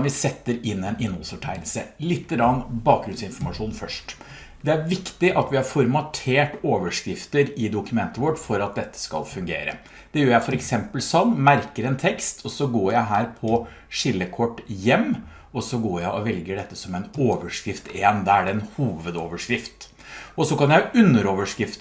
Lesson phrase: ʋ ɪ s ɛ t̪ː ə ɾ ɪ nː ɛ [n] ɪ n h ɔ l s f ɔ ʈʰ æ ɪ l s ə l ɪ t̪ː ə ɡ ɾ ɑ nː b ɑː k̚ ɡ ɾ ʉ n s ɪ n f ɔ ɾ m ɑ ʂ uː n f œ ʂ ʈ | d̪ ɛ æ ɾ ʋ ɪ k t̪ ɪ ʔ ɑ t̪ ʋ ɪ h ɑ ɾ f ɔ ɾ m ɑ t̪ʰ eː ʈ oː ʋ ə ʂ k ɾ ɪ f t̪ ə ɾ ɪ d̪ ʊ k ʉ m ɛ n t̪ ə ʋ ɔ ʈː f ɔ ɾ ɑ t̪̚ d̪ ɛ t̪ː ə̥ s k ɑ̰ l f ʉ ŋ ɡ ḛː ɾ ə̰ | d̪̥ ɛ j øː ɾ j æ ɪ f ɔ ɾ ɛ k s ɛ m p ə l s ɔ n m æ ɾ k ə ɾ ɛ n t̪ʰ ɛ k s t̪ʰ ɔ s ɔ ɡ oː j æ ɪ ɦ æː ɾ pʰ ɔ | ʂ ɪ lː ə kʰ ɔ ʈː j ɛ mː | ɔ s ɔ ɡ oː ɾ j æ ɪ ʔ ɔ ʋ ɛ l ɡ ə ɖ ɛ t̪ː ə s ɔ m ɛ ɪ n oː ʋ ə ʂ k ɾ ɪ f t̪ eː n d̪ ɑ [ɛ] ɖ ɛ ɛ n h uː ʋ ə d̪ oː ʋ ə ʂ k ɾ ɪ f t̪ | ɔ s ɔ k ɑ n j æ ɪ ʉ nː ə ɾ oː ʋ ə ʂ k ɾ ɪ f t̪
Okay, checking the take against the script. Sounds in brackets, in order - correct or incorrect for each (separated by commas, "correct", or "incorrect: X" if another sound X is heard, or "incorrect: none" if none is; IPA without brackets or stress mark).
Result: correct, incorrect: æ